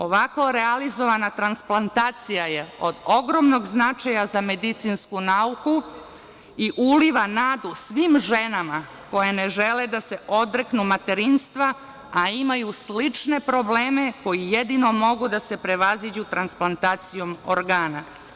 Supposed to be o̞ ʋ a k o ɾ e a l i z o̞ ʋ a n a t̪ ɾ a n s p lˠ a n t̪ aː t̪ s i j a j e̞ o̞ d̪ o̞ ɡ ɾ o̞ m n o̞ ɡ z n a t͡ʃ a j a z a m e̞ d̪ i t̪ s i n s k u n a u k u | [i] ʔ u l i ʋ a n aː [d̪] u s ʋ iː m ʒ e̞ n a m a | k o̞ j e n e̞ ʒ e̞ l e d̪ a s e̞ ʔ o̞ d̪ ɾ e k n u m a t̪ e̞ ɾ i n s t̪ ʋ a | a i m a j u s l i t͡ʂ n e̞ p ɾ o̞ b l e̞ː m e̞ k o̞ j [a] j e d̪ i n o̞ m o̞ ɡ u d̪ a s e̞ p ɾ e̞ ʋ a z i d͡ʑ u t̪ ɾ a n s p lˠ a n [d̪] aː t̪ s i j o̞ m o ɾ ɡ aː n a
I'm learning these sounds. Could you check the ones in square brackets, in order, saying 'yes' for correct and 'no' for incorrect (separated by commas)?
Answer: yes, yes, no, no